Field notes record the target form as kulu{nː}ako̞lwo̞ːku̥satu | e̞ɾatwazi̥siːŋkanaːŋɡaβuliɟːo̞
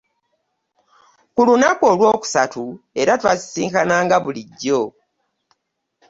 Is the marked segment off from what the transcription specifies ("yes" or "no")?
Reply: yes